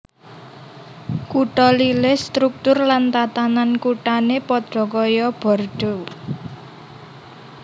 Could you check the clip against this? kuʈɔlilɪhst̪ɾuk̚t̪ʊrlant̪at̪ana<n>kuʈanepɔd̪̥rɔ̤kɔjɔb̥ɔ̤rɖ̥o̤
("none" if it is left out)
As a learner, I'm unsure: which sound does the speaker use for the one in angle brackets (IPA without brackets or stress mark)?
n